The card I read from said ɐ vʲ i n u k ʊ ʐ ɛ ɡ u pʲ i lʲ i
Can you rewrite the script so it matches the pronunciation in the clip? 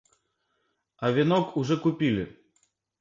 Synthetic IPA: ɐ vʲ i n ɔ k u ʐ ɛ k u pʲ i lʲ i